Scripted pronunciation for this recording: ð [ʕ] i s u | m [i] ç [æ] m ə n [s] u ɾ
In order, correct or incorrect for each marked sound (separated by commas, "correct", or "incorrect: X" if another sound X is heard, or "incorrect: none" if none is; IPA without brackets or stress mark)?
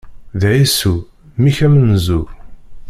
correct, correct, correct, incorrect: z